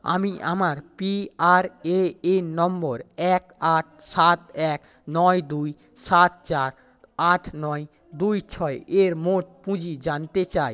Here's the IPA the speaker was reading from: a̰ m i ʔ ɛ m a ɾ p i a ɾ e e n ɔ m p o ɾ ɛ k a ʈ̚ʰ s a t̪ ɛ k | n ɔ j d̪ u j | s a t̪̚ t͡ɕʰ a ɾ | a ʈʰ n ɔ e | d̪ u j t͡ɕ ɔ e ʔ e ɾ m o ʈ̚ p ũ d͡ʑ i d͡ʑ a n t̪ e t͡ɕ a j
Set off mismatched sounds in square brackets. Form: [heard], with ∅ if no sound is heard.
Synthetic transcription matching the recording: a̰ m i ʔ [a] m a ɾ p i a ɾ e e n ɔ m [b] o ɾ ɛ k a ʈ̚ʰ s a t̪ ɛ k | n ɔ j d̪ u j | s a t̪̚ [t͡ɕ] a ɾ | a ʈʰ n ɔ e | d̪ u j [t͡ɕʰ] ɔ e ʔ e ɾ m o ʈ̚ p ũ d͡ʑ i d͡ʑ a n t̪ e t͡ɕ a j